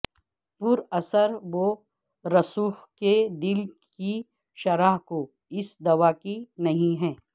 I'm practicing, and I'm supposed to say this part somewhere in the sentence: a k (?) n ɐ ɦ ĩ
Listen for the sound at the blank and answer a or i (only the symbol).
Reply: i